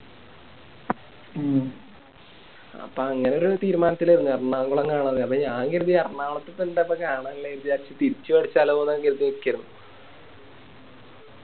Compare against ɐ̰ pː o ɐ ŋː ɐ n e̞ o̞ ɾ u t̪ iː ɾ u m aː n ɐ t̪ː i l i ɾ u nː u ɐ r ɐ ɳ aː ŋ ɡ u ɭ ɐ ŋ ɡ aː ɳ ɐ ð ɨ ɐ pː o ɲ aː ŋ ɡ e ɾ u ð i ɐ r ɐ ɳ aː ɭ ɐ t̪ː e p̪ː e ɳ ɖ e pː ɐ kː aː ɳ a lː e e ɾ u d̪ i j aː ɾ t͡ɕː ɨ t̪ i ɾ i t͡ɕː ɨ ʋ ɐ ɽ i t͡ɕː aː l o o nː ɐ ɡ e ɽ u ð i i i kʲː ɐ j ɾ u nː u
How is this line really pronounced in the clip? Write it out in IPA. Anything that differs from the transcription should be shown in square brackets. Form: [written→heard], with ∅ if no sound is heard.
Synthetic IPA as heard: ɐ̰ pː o ɐ ŋː ɐ n e̞ o̞ ɾ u t̪ iː ɾ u m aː n ɐ t̪ː i l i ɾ u nː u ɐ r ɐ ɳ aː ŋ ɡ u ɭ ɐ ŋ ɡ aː ɳ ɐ ð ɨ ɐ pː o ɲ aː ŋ ɡ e ɾ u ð i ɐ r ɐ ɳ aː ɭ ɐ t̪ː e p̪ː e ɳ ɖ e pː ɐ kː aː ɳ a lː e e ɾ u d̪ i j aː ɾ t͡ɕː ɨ t̪ i ɾ i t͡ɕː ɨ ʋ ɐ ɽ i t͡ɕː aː l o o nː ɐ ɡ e [ɽ→ɾ] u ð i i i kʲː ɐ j ɾ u nː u